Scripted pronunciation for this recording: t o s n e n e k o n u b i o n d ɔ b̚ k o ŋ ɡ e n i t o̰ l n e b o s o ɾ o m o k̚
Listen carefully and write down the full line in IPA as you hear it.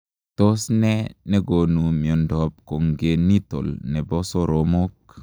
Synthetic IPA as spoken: t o s n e n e ɡ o n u m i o n d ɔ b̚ k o ŋ ɡ e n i t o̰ l n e b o s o ɾ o m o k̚